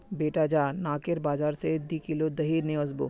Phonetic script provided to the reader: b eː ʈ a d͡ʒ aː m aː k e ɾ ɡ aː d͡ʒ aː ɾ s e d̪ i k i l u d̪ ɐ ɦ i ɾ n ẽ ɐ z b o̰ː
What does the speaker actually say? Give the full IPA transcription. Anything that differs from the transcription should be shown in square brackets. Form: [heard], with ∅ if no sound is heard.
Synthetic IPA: b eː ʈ a d͡ʒ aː [n] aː k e ɾ [b] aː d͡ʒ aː ɾ s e d̪ i k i l [o] d̪ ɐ ɦ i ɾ n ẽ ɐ z b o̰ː